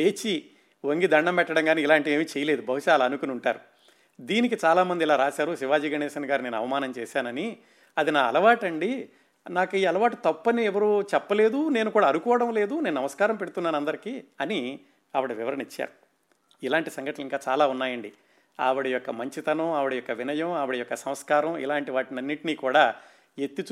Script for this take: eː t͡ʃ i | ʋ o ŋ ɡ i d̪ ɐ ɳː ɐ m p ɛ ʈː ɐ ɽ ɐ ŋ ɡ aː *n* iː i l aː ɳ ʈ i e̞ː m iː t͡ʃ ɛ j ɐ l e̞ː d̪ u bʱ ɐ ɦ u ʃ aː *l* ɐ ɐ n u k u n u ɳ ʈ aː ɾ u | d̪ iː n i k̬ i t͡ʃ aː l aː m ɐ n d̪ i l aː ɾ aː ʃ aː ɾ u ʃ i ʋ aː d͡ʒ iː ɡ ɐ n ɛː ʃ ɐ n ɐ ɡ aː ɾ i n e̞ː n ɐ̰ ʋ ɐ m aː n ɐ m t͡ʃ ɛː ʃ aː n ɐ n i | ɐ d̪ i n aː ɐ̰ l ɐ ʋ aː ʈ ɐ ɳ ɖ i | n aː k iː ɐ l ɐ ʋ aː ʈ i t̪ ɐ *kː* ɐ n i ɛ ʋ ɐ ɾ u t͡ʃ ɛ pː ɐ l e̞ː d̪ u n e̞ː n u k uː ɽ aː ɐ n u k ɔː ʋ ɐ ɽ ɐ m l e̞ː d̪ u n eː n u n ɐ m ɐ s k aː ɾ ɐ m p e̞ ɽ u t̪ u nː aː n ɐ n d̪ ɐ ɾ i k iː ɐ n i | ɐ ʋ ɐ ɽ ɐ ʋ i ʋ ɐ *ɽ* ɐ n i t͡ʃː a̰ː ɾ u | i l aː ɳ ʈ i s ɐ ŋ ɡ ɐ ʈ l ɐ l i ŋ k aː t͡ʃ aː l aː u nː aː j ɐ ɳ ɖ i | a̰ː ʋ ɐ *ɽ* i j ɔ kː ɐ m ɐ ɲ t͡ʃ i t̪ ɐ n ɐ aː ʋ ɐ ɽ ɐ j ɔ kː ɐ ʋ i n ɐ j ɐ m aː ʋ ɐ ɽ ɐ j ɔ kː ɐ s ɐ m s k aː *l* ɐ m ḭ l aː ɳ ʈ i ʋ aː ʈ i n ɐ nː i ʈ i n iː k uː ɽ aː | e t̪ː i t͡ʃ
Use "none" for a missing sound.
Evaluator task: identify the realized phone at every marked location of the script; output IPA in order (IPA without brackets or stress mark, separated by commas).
n, l, pː, ɾ, ɽ, ɾ